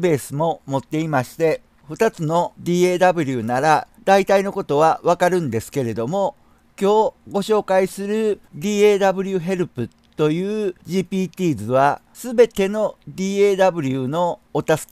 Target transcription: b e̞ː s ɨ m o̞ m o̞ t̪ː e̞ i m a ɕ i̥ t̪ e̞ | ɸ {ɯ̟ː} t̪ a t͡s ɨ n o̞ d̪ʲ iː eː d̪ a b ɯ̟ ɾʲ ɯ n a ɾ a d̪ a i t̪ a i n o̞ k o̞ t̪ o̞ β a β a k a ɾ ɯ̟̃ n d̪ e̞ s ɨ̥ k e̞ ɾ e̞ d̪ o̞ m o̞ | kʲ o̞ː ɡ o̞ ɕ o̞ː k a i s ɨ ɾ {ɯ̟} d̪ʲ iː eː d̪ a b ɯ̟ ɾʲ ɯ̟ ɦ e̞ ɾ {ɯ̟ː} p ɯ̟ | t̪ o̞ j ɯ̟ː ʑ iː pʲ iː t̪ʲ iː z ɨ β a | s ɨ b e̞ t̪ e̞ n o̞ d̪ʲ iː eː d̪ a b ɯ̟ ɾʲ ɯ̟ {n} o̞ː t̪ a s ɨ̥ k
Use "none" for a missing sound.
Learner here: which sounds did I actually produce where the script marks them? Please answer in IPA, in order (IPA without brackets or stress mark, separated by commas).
ɯ̟, ɯ̟, ɯ̟, n